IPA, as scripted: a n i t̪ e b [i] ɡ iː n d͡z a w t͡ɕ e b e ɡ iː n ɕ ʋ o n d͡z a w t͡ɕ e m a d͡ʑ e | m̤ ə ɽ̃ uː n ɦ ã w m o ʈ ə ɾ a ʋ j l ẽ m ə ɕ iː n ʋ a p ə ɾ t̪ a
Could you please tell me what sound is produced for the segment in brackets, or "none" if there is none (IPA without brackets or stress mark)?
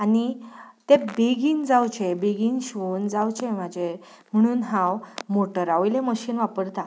e